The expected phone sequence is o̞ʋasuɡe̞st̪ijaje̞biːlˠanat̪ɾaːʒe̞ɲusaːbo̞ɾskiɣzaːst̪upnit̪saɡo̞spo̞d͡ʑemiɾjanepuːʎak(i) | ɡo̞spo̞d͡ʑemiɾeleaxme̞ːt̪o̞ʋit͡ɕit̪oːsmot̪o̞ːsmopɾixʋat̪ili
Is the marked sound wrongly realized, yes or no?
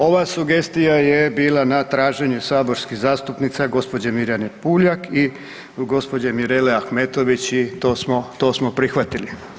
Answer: no